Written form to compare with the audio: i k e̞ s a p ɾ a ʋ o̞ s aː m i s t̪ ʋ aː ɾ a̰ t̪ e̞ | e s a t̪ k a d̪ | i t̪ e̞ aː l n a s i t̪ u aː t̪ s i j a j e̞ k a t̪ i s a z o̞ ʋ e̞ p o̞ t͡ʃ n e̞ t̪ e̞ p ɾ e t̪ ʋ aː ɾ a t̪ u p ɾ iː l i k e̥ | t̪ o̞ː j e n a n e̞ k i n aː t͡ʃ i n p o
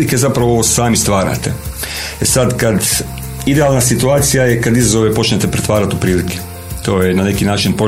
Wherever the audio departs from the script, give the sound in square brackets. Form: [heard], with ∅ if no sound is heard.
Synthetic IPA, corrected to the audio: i k e̞ [z] a p ɾ a ʋ o̞ s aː m i s t̪ ʋ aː ɾ a̰ t̪ e̞ | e s a [d̪] k a d̪ | i [d̪] e̞ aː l n a s i t̪ u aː t̪ s i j a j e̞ k a [d̪] i [z] a z o̞ ʋ e̞ p o̞ t͡ʃ n e̞ t̪ e̞ p ɾ e t̪ ʋ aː ɾ a t̪ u p ɾ iː l i k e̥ | t̪ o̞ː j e n a n e̞ k i n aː t͡ʃ i n p o